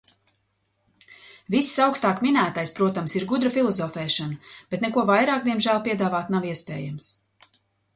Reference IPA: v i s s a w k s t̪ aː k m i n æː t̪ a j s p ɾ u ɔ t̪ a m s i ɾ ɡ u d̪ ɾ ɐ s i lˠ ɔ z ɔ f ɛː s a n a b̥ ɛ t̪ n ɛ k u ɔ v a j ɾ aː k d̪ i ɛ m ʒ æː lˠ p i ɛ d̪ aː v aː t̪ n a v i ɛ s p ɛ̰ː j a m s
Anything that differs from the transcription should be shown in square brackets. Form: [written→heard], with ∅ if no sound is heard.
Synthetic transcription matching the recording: v i s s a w k s t̪ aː k m i n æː t̪ a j s p ɾ u ɔ t̪ a m s i ɾ ɡ u d̪ ɾ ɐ [s→f] i lˠ ɔ z ɔ f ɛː [s→ʃ] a n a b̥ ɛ t̪ n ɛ k u ɔ v a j ɾ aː k d̪ i ɛ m ʒ æː lˠ p i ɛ d̪ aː v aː t̪ n a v i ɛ s p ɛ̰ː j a m s